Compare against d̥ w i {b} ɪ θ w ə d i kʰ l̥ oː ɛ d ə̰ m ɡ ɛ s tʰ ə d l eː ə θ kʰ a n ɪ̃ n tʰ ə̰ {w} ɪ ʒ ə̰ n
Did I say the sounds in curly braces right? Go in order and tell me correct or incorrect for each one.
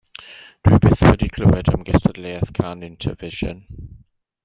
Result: correct, incorrect: v

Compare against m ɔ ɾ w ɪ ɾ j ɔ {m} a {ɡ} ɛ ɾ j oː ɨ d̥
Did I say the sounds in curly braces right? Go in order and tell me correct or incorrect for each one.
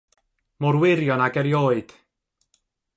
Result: incorrect: n, correct

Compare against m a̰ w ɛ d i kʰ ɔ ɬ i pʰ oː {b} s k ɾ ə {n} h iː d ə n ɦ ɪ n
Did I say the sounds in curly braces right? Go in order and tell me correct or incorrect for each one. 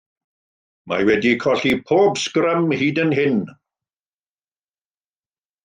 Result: correct, incorrect: m

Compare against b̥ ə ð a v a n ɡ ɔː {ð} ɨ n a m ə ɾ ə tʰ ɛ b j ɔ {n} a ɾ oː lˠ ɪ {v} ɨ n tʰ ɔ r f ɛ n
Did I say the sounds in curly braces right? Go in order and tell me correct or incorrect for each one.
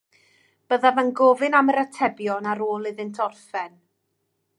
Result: incorrect: v, correct, incorrect: ð

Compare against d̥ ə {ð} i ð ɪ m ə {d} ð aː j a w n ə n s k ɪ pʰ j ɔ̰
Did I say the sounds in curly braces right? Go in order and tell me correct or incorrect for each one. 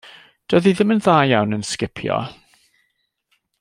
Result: correct, incorrect: n

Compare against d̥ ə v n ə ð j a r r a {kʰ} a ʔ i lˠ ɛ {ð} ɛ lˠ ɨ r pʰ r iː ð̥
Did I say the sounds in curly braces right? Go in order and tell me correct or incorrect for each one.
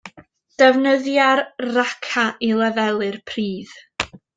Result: correct, incorrect: v

